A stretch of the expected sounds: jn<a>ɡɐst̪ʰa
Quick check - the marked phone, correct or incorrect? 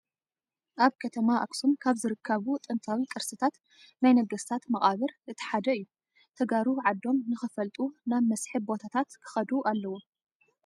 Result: incorrect